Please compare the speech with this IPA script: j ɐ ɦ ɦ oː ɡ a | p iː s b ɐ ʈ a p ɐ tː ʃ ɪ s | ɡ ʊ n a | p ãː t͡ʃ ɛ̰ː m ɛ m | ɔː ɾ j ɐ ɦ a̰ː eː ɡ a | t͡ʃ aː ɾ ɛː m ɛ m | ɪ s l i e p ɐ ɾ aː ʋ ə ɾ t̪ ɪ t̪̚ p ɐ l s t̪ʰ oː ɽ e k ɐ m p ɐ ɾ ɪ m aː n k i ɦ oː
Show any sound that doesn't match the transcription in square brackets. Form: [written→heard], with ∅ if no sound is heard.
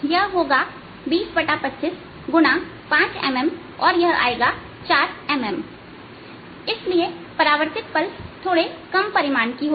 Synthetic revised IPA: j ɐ ɦ ɦ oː ɡ a | [p→b] iː s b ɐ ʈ a p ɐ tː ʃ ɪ s | ɡ ʊ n a | p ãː t͡ʃ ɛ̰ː m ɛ m | ɔː ɾ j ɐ ɦ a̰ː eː ɡ a | t͡ʃ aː ɾ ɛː m ɛ m | ɪ s l i e p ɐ ɾ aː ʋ ə ɾ t̪ ɪ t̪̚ p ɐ l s t̪ʰ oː ɽ e k ɐ m p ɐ ɾ ɪ m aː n k i ɦ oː

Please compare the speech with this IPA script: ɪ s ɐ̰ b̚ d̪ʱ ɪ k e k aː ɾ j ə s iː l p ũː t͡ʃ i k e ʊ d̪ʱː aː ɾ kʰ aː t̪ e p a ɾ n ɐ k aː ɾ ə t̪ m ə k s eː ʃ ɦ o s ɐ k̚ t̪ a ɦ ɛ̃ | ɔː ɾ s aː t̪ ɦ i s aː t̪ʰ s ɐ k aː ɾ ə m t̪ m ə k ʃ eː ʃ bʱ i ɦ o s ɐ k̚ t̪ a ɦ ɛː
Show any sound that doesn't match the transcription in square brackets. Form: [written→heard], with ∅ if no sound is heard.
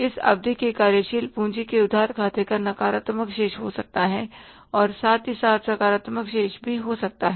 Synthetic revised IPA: ɪ s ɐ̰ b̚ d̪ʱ [ɪ→i] k e k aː ɾ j ə [s→ʃ] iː l p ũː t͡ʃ i k e ʊ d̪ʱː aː ɾ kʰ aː t̪ e [p→k] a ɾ n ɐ k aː ɾ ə t̪ m ə k [s→ʃ] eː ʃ ɦ o s ɐ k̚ t̪ a ɦ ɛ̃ | ɔː ɾ s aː t̪ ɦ i s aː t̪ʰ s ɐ k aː ɾ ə [m→∅] t̪ m ə k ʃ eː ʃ bʱ i ɦ o s ɐ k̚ t̪ a ɦ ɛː

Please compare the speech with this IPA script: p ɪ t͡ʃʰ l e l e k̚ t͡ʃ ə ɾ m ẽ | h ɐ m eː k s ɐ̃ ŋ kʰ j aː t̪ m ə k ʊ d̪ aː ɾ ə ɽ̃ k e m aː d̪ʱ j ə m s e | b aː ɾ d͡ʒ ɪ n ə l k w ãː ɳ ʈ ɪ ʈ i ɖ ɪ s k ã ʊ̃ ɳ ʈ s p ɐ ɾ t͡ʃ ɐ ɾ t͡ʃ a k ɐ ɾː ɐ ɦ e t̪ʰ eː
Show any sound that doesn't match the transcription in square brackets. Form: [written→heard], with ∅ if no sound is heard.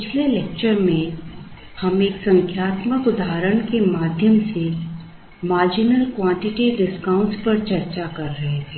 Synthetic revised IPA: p ɪ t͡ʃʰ l e l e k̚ t͡ʃ ə ɾ m ẽ | h ɐ m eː k s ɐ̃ ŋ kʰ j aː t̪ m ə k ʊ d̪ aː ɾ ə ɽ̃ k e m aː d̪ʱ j ə m s e | [b→m] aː ɾ d͡ʒ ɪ n ə l k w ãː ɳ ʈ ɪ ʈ i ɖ ɪ s k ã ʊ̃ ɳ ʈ s p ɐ ɾ t͡ʃ ɐ ɾ t͡ʃ a k ɐ ɾː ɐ ɦ e t̪ʰ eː

